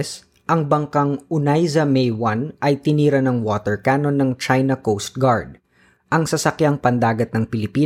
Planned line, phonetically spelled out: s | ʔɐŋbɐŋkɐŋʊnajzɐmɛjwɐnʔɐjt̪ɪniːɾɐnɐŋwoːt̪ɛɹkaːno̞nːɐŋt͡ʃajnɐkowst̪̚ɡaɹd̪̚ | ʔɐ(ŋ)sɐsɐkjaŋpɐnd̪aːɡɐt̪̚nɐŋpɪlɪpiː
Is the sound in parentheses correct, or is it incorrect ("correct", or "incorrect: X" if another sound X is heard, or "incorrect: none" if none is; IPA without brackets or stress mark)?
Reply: correct